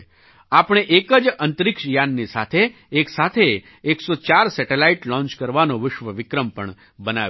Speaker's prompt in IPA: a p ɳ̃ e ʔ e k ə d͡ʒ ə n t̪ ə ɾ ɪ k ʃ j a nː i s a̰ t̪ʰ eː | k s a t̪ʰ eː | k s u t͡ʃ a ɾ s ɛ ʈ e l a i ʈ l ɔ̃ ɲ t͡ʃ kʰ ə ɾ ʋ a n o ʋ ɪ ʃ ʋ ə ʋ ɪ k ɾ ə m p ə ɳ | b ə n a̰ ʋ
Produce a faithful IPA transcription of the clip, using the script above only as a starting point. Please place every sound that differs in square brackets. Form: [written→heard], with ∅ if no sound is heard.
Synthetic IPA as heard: a p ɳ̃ e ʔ e k ə d͡ʒ ə n t̪ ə ɾ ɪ k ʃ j a nː i s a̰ t̪ʰ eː | k s a t̪ʰ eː | k s [u→o] t͡ʃ a ɾ s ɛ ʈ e l a i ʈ l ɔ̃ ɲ t͡ʃ [kʰ→k] ə ɾ ʋ a n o ʋ ɪ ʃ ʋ ə ʋ ɪ k ɾ ə m p ə ɳ | b ə n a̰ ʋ